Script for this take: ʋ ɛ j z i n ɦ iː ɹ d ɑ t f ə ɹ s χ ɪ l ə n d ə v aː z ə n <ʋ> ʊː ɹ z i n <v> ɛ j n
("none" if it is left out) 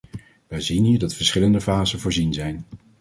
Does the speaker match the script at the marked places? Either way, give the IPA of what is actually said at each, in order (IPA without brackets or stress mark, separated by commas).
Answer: v, z